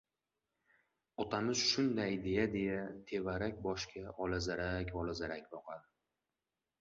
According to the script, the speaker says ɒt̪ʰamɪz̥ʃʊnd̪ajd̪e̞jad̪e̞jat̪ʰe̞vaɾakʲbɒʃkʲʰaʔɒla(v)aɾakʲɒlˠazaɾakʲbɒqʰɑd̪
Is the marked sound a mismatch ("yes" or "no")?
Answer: yes